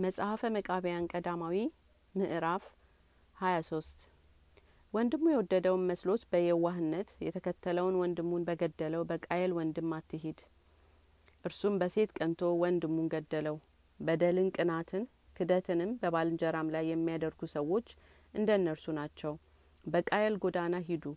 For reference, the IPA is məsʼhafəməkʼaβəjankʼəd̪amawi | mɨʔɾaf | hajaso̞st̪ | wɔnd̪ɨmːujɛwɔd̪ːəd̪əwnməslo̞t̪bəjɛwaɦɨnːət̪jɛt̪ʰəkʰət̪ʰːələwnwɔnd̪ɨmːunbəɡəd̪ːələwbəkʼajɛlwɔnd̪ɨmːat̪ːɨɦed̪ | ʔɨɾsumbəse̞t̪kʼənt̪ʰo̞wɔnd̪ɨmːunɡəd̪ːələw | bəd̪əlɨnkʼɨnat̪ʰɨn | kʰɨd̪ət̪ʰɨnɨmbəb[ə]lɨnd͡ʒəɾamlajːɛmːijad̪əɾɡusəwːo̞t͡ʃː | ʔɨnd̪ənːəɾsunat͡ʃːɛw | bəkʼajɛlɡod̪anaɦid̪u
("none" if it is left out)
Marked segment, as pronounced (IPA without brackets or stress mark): a